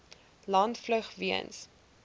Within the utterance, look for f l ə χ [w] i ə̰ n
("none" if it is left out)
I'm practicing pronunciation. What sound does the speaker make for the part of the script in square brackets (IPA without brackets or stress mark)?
v